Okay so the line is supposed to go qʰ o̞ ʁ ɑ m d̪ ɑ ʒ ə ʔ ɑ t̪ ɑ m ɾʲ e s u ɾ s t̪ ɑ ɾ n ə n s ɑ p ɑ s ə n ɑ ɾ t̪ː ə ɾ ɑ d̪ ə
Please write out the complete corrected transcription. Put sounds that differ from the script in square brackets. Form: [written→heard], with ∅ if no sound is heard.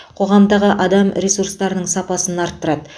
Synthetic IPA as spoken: qʰ o̞ ʁ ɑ m d̪ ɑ [ʒ→ʁ] ə ʔ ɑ [t̪→d̪] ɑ m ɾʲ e s u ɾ s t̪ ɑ ɾ n ə [n→ɴ] s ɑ p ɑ s ə n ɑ ɾ t̪ː ə ɾ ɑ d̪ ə